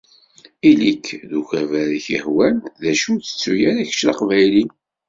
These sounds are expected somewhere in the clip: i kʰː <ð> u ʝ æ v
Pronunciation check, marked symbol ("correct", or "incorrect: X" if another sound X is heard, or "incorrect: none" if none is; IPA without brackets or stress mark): correct